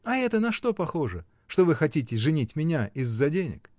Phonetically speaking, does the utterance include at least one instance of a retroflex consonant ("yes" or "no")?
yes